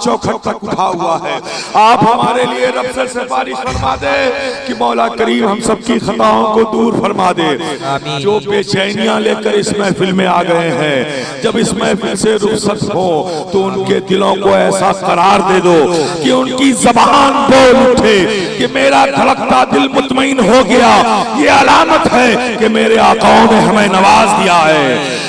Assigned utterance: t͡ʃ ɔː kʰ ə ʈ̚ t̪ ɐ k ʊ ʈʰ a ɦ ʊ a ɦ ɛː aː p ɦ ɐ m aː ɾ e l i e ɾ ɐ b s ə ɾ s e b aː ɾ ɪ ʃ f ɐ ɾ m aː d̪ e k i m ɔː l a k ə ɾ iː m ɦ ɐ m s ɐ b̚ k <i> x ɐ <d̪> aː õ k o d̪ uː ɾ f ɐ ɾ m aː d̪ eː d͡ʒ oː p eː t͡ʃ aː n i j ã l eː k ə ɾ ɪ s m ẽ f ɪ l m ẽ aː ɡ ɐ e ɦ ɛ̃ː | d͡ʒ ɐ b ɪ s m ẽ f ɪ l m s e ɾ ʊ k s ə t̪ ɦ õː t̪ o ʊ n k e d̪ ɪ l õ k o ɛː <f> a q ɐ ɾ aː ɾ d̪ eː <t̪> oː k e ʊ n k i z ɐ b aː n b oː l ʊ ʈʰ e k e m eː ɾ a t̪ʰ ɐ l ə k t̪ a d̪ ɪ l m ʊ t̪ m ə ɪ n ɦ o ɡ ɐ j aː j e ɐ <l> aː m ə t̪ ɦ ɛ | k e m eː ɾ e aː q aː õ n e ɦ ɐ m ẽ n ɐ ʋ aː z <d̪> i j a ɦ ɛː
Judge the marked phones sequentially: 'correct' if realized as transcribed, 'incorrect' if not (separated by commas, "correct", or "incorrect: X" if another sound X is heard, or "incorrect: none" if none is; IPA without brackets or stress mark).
correct, incorrect: t̪, incorrect: s, incorrect: d̪, correct, correct